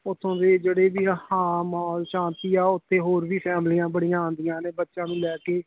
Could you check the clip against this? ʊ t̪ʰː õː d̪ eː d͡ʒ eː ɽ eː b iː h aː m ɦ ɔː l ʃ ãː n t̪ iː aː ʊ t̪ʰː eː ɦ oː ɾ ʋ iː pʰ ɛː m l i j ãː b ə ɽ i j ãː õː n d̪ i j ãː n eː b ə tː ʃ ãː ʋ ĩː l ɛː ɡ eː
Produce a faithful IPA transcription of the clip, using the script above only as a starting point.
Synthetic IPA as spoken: ʊ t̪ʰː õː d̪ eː d͡ʒ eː ɽ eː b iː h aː m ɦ ɔː l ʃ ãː n t̪ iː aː ʊ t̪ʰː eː ɦ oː ɾ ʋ iː pʰ ɛː m l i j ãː b ə ɽ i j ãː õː n d̪ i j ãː n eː b ə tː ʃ ãː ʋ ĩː l ɛː k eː

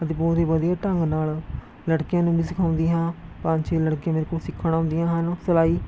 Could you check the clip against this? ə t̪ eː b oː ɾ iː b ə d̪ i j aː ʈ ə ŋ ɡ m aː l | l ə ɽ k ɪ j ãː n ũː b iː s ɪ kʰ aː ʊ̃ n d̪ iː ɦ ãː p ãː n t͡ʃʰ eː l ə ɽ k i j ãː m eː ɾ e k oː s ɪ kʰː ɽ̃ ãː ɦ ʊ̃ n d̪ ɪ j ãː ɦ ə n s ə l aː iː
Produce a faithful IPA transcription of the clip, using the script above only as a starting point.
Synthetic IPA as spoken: ə t̪ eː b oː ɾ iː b ə d̪ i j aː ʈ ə ŋ ɡ n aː l | l ə ɽ k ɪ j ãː n ũː b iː s ɪ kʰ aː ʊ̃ n d̪ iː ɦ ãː p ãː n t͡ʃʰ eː l ə ɽ k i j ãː m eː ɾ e k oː s ɪ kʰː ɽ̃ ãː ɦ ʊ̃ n d̪ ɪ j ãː ɦ ə n s ə l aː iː

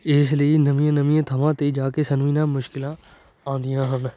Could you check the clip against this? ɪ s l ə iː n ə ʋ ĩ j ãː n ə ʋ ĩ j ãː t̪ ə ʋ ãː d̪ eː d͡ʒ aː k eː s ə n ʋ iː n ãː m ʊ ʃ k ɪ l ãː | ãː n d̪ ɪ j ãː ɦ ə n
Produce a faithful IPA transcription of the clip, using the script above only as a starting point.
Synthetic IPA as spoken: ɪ s l ə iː n ə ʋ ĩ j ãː n ə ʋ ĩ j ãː t̪ʰ ə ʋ ãː t̪ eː d͡ʒ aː k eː s ə n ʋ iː n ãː m ʊ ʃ k ɪ l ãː | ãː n d̪ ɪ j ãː ɦ ə n

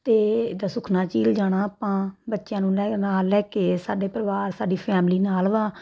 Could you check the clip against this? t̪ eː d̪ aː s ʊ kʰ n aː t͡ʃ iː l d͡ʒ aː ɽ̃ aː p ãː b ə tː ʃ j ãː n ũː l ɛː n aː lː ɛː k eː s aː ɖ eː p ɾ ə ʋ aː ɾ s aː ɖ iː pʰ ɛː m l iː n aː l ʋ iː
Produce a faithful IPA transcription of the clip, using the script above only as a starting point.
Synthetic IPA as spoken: t̪ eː d̪ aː s ʊ kʰ n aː t͡ʃ iː l d͡ʒ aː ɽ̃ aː p ãː b ə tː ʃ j ãː n ũː l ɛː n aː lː ɛː k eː s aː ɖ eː p ɾ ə ʋ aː ɾ s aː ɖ iː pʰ ɛː m l iː n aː l ʋ aː

